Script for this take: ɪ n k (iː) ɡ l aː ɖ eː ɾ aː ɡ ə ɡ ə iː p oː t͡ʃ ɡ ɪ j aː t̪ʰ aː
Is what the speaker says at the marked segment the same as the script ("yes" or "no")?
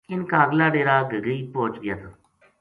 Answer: no